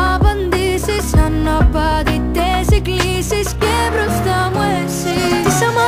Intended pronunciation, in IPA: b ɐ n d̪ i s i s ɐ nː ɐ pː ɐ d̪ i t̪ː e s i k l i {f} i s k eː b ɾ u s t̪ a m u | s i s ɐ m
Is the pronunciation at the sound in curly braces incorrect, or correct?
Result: incorrect